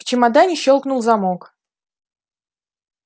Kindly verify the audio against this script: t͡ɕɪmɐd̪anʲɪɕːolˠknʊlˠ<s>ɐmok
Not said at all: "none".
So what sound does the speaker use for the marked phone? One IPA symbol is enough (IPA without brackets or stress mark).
z